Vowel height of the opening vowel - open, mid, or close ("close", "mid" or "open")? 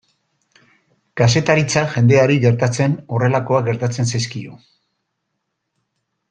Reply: open